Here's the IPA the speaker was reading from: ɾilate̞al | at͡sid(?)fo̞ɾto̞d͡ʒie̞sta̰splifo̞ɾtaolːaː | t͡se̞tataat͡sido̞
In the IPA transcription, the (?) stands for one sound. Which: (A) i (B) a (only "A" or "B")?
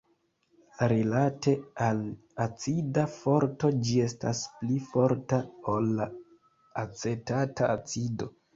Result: B